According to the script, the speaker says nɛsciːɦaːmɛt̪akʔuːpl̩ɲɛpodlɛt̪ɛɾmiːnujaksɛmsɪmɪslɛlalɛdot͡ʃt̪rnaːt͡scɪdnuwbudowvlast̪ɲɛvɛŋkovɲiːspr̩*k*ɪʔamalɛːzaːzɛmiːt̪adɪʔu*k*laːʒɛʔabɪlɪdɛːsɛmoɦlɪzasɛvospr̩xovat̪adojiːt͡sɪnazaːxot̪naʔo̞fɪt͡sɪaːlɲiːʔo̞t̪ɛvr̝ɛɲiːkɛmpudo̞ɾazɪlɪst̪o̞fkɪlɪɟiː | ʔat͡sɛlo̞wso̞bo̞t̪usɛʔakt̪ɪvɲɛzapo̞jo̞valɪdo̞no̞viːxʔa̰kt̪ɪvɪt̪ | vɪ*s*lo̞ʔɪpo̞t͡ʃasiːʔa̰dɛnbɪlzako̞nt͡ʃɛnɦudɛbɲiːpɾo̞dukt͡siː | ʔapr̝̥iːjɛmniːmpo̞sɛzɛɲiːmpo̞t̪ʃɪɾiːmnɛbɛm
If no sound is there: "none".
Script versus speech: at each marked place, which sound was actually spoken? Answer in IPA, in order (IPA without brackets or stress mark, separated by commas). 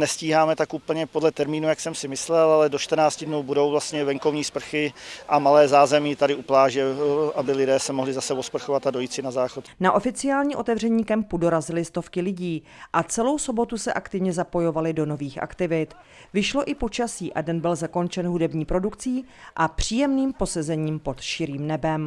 x, p, ʃ